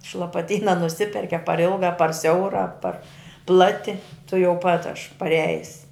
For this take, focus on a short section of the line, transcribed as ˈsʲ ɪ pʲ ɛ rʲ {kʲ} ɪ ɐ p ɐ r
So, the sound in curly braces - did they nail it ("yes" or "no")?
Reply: yes